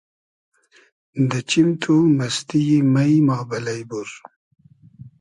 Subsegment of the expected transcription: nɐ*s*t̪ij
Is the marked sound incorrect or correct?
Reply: correct